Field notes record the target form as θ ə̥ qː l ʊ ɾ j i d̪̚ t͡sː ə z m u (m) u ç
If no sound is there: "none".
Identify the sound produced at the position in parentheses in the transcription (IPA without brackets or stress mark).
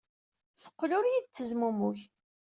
m